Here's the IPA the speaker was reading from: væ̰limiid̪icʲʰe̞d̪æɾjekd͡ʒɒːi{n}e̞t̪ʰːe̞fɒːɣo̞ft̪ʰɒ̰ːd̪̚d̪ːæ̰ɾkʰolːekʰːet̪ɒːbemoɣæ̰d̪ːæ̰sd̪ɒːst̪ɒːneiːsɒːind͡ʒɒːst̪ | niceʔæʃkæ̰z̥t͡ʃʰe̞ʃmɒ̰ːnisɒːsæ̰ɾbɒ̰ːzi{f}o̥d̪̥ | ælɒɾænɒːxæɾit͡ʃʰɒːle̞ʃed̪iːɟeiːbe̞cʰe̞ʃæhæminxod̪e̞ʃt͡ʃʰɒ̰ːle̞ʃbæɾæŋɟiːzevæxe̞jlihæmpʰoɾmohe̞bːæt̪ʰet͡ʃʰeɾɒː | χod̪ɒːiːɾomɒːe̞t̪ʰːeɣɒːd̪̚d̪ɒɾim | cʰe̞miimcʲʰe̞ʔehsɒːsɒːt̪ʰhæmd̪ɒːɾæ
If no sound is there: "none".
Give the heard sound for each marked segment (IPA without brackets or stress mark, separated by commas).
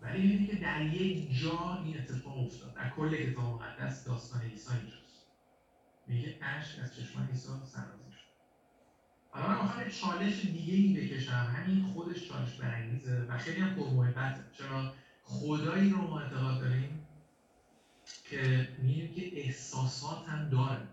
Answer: n, ʃ